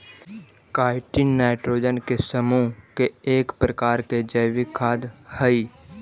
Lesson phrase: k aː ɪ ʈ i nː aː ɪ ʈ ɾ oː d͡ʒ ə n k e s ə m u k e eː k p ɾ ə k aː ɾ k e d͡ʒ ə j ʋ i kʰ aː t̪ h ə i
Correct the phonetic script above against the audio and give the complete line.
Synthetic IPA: k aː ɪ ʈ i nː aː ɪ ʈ ɾ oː d͡ʒ ə n k e s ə m u k e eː k p ɾ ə k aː ɾ k e d͡ʒ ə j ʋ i kʰ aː d̪ h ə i